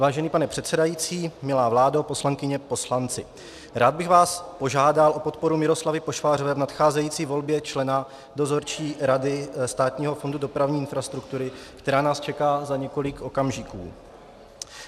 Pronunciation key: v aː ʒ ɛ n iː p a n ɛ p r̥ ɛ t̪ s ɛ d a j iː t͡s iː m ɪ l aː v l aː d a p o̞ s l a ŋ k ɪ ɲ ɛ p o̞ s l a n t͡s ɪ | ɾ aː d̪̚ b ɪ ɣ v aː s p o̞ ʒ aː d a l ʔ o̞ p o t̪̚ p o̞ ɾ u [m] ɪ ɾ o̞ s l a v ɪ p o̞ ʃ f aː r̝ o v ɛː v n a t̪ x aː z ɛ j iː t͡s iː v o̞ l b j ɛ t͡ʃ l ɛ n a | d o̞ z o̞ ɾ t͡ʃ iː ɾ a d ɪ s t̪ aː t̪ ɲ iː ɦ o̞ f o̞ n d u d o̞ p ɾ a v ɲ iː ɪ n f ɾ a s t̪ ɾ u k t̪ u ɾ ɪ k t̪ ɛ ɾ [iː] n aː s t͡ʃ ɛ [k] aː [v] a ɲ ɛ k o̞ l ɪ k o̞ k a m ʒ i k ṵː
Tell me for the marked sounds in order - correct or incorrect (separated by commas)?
correct, incorrect, correct, incorrect